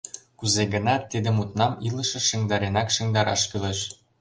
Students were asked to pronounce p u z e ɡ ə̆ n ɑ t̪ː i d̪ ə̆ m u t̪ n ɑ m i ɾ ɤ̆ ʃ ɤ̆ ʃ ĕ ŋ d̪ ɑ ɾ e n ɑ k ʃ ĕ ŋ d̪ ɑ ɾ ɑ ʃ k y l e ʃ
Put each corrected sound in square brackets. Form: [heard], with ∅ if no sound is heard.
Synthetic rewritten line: [k] u z e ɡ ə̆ n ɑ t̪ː i d̪ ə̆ m u t̪ n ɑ m i [l] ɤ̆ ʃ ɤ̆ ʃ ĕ ŋ d̪ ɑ ɾ e n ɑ k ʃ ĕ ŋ d̪ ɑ ɾ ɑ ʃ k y l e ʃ